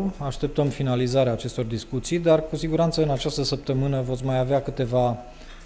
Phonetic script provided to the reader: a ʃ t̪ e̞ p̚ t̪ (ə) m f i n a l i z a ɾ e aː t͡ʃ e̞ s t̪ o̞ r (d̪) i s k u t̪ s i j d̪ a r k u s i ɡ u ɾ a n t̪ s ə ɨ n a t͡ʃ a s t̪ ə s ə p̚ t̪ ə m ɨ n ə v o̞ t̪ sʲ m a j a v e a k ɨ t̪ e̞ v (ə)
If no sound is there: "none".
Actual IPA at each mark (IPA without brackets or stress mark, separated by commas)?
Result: ə, d̪, a